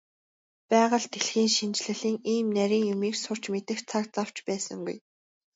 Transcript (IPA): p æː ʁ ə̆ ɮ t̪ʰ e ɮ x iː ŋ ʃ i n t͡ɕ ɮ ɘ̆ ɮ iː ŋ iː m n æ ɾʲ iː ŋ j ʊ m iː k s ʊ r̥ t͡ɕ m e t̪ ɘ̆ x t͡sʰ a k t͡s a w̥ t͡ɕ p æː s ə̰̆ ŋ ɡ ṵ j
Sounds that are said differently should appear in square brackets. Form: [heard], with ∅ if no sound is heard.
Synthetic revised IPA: p æː ʁ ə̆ ɮ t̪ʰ e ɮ x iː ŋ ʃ i n t͡ɕ ɮ ɘ̆ ɮ iː ŋ iː m n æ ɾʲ iː ŋ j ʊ m iː k s ʊ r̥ t͡ɕ m e t̪ ɘ̆ x t͡sʰ a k t͡s a w̥ t͡ɕ p æː s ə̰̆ ŋ ɡ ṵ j